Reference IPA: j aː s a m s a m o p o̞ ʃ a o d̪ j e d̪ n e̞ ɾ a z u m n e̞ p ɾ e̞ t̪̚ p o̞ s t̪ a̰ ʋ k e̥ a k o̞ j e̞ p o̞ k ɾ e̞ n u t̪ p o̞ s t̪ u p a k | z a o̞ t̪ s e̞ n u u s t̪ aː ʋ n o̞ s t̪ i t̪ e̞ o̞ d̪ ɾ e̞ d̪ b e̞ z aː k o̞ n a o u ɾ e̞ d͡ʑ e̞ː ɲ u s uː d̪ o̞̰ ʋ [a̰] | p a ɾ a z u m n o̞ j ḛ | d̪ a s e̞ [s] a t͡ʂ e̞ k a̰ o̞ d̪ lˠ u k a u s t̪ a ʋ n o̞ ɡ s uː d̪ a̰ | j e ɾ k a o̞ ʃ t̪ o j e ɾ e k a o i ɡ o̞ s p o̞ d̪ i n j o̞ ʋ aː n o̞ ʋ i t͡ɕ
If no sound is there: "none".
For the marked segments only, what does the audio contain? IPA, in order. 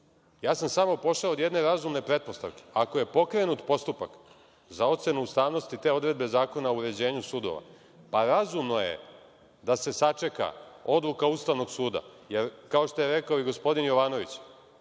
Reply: a̰, s

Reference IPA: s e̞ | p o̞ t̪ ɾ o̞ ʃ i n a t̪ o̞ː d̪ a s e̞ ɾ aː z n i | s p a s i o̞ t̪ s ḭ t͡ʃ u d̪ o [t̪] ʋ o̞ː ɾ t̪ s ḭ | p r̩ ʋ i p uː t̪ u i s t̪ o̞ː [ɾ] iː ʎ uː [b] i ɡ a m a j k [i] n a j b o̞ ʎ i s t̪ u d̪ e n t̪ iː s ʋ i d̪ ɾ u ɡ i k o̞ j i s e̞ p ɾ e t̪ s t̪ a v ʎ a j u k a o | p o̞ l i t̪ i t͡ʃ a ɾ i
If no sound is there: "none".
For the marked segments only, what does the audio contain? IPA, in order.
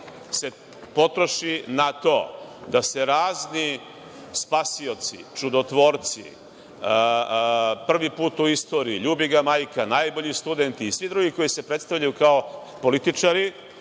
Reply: t̪, ɾ, b, a

